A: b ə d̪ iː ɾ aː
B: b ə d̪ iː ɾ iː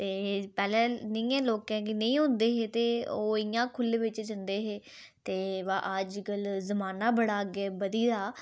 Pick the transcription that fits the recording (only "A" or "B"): A